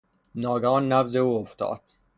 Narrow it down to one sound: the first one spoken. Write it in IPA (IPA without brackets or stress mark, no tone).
n